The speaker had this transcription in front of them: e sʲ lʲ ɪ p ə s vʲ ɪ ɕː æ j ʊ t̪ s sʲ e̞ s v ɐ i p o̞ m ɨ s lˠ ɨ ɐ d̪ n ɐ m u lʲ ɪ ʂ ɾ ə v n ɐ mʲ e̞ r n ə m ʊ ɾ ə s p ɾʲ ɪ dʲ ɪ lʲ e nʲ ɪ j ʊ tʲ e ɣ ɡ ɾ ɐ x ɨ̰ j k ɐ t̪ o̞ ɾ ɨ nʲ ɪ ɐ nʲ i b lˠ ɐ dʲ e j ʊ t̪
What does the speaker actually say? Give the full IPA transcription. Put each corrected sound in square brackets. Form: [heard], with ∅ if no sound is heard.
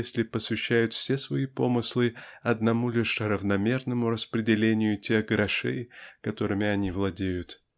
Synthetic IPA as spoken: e sʲ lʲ ɪ p ə s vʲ ɪ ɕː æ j ʊ t̪ [f] sʲ e̞ s v ɐ i p o̞ m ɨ s lˠ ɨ ɐ d̪ n ɐ m u lʲ ɪ ʂ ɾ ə v n ɐ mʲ e̞ r n ə m ʊ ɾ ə s p ɾʲ ɪ dʲ ɪ lʲ e nʲ ɪ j ʊ tʲ e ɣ ɡ ɾ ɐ [ʂ] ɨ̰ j k ɐ t̪ o̞ ɾ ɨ [mʲ] ɪ ɐ nʲ i [v] lˠ ɐ dʲ e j ʊ t̪

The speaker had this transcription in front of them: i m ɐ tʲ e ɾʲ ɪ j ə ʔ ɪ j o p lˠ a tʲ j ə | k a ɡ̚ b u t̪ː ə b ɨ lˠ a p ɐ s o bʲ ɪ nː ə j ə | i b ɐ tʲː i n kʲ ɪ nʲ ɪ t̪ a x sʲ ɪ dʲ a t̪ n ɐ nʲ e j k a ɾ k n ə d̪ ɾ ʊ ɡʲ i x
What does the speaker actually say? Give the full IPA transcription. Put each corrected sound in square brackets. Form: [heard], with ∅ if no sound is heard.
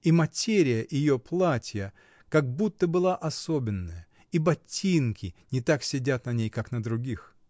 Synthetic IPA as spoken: i m ɐ tʲ e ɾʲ ɪ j ə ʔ ɪ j o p lˠ a tʲ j ə | k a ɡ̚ b u t̪ː ə b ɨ lˠ a [ʔ] ɐ s o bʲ ɪ nː ə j ə | i b ɐ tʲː i n kʲ ɪ nʲ ɪ t̪ a [k] sʲ ɪ dʲ a t̪ n ɐ nʲ e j k a [∅] k n ə d̪ ɾ ʊ ɡʲ i x

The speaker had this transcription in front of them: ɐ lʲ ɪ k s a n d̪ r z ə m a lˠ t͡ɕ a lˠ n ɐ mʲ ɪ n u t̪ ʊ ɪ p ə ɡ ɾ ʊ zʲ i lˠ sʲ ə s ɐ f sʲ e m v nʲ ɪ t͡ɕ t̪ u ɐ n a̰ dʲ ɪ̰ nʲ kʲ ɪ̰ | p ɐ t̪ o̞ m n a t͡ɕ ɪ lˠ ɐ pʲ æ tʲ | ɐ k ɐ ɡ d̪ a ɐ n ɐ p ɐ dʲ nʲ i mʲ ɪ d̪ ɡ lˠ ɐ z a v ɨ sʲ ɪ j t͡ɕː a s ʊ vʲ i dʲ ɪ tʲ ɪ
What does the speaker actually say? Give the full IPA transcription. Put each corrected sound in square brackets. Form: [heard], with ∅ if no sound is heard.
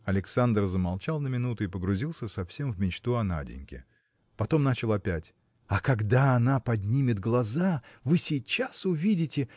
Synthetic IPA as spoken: ɐ lʲ ɪ k s a n d̪ r z ə m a lˠ t͡ɕ a lˠ n [ə] mʲ ɪ n u t̪ ʊ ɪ p ə ɡ ɾ ʊ zʲ i lˠ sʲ ə s ɐ f sʲ e m v [mʲ] ɪ t͡ɕ t̪ u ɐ n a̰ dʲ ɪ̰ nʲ kʲ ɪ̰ | p ɐ t̪ o̞ m n a t͡ɕ ɪ lˠ ɐ pʲ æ tʲ | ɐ k ɐ ɡ d̪ a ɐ n [a] p ɐ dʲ nʲ i mʲ ɪ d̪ ɡ lˠ ɐ z a v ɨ sʲ ɪ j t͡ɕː a s ʊ vʲ i dʲ ɪ tʲ ɪ

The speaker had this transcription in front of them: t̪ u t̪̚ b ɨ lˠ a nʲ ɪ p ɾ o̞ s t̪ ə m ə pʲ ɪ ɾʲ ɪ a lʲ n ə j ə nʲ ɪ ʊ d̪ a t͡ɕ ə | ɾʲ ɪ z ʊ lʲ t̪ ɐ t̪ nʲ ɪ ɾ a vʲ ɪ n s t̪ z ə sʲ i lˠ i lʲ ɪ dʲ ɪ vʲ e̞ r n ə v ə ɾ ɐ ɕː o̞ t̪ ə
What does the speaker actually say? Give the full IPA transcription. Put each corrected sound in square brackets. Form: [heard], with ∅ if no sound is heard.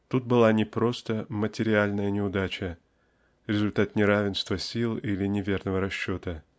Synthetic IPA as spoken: t̪ u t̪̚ b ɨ lˠ a nʲ ɪ p ɾ o̞ s t̪ ə m ə [tʲ] ɪ ɾʲ ɪ a lʲ n ə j ə nʲ ɪ ʊ d̪ a t͡ɕ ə | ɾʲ ɪ z ʊ lʲ t̪ [a] t̪ nʲ ɪ ɾ a vʲ ɪ n s t̪ [v] ə sʲ i lˠ i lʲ ɪ [nʲ] ɪ vʲ e̞ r n ə v ə ɾ ɐ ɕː o̞ t̪ ə

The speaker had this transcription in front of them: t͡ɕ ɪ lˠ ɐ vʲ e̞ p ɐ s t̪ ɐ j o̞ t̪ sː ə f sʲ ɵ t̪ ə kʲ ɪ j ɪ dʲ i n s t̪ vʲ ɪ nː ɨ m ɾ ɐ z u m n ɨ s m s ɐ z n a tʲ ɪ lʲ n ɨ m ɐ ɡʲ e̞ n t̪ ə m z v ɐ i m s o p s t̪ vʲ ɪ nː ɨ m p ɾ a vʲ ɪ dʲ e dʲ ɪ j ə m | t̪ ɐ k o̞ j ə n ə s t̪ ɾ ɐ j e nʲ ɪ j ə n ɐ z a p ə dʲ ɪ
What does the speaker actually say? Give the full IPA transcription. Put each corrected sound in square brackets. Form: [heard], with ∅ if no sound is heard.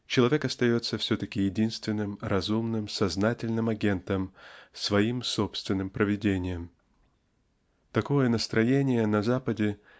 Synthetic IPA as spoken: t͡ɕ ɪ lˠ ɐ vʲ e̞ [k] ɐ s t̪ ɐ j o̞ t̪ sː ə f sʲ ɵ t̪ ə kʲ ɪ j ɪ dʲ i n s t̪ vʲ ɪ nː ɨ m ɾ ɐ z u m n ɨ [∅] m s ɐ z n a tʲ ɪ lʲ n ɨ m ɐ ɡʲ e̞ n t̪ ə m [s] v ɐ i m s o p s t̪ vʲ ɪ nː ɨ m p ɾ [ə] vʲ ɪ dʲ e [nʲ] ɪ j ə m | t̪ ɐ k o̞ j ə n ə s t̪ ɾ ɐ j e nʲ ɪ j ə n ɐ z a p ə dʲ ɪ

